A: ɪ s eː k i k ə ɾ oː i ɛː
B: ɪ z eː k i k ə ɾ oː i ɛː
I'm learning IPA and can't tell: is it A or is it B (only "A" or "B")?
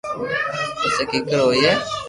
A